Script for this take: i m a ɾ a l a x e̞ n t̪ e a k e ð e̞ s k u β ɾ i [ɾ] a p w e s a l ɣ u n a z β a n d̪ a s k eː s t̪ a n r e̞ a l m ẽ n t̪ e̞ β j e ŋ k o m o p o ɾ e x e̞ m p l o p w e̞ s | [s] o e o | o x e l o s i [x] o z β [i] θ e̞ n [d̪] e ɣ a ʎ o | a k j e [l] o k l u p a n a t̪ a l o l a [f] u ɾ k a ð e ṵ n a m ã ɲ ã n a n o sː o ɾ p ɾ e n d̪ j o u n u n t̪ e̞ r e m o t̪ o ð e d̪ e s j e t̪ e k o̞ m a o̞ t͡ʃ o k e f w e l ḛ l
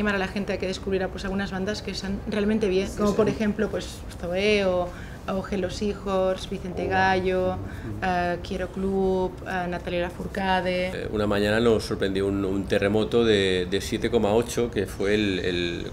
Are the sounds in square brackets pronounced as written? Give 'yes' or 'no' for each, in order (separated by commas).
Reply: yes, no, yes, yes, no, no, yes